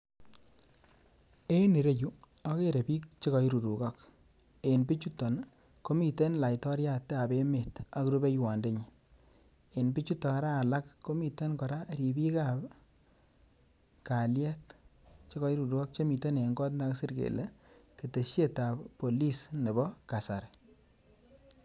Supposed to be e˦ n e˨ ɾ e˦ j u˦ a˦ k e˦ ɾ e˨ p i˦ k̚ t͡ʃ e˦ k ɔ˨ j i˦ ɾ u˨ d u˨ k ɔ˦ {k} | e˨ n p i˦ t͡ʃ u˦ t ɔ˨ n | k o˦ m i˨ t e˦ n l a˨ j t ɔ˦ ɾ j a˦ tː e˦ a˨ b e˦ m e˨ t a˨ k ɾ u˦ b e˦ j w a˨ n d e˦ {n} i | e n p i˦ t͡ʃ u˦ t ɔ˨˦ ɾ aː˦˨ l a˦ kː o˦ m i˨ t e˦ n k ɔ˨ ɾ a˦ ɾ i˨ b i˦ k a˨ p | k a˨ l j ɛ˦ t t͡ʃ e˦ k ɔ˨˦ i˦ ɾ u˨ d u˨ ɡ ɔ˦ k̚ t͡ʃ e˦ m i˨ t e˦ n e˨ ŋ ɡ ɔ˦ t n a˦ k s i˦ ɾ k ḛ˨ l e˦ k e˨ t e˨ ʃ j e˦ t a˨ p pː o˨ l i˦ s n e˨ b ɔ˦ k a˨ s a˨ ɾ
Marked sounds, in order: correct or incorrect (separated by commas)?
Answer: correct, incorrect